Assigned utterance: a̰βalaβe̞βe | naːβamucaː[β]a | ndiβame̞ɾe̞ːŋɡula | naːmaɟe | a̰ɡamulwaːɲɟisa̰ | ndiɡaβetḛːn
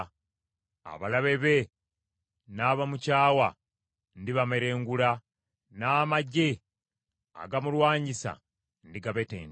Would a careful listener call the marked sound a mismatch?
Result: yes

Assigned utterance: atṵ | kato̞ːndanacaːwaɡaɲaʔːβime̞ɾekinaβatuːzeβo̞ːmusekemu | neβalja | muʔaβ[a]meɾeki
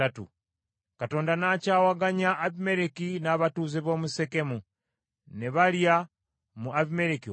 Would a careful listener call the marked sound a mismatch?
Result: yes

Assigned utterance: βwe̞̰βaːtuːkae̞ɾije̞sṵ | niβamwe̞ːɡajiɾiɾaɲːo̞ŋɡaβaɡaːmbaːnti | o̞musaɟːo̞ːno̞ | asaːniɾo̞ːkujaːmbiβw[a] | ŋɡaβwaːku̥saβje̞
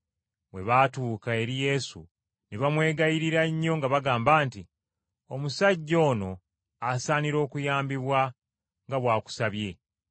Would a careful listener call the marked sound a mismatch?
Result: no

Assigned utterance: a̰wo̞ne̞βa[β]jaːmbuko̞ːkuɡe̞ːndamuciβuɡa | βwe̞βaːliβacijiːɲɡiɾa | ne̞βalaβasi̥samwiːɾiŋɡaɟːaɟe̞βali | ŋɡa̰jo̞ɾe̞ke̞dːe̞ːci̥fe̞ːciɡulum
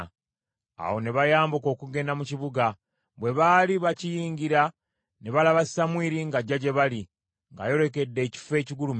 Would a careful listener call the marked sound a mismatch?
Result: yes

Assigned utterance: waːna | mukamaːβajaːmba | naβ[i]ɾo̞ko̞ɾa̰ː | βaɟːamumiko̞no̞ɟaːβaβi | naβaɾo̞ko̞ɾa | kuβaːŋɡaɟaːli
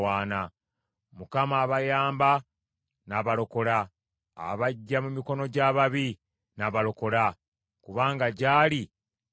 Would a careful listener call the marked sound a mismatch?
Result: yes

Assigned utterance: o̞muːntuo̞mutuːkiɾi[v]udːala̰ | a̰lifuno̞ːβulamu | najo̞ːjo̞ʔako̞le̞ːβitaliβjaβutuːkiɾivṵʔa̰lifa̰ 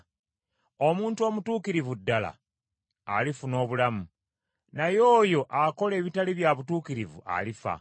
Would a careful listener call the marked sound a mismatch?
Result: no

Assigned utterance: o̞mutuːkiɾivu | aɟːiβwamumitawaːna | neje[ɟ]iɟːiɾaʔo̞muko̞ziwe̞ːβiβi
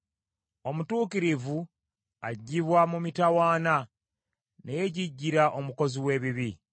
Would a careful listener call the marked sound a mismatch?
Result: no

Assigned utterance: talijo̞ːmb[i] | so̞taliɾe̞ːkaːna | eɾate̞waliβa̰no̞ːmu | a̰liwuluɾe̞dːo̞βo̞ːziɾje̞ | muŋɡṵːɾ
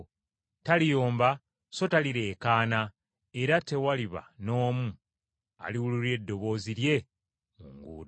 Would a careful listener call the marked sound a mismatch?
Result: yes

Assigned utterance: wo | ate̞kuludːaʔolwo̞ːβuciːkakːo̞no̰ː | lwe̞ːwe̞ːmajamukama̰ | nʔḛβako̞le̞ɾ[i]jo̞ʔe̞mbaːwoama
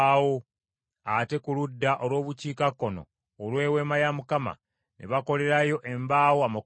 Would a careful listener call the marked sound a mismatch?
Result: yes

